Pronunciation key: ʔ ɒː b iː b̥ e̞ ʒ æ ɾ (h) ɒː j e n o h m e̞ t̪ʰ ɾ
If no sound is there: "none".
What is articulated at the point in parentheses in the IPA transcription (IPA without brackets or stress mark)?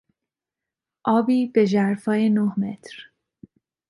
f